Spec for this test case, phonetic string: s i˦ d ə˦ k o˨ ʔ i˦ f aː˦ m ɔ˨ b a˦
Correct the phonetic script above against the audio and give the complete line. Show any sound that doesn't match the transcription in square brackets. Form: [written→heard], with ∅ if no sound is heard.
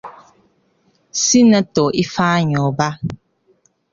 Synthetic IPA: s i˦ [d→n] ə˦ [k→t] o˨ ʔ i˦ f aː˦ [m→ɲ] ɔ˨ b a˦

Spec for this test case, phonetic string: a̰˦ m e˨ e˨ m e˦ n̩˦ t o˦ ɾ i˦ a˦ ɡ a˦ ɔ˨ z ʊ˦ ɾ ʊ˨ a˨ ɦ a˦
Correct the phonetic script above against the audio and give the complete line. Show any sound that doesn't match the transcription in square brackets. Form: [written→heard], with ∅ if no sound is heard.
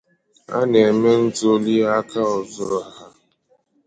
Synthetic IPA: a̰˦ [m→n] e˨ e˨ m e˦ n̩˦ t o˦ [ɾ→l] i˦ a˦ [ɡ→k] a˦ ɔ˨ z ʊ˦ ɾ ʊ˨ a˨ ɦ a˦

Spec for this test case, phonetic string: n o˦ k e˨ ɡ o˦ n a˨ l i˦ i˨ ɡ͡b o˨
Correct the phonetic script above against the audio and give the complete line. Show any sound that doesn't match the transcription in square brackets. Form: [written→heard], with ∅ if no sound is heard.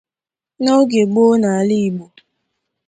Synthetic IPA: n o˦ [k→ɡ] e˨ [ɡ→ɡ͡b] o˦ n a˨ l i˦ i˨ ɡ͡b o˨

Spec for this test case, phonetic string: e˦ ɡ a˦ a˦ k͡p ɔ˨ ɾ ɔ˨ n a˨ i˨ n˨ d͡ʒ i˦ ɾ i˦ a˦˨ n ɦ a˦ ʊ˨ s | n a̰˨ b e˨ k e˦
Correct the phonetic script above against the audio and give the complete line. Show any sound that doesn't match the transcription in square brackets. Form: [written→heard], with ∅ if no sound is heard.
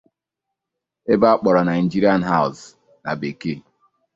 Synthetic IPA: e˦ [ɡ→b] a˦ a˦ k͡p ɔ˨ ɾ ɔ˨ n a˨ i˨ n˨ d͡ʒ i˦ ɾ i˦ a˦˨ n ɦ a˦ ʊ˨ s | n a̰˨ b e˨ k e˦

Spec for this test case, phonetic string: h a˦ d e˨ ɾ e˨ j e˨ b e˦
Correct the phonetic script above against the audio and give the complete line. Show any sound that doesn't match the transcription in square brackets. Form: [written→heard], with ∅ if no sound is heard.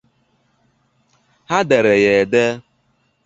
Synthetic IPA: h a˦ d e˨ ɾ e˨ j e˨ [b→d] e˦

